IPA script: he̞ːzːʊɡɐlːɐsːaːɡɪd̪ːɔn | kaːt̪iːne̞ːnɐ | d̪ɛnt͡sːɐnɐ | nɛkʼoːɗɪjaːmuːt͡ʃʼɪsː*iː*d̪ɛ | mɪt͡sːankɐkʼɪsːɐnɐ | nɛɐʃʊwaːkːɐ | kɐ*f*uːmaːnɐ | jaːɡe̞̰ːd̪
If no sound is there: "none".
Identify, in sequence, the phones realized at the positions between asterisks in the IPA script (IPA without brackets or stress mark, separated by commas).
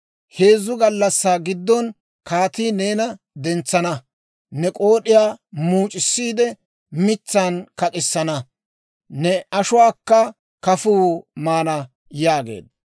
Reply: iː, f